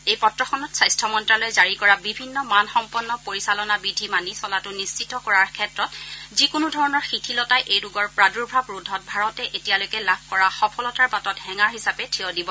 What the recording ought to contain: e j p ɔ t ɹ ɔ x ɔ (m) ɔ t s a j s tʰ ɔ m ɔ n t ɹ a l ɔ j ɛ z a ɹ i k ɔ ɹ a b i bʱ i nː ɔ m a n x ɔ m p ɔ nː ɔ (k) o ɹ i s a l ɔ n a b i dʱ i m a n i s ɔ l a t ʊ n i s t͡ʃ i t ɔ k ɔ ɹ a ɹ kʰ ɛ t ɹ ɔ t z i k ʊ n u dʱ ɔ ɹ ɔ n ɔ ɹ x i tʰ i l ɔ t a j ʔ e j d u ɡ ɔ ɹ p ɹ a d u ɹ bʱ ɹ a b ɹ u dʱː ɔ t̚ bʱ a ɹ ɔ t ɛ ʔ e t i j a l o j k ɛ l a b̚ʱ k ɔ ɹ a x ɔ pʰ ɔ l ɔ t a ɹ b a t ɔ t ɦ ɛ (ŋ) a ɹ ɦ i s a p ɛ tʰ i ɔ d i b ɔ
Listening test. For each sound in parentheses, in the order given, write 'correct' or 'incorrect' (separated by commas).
incorrect, incorrect, correct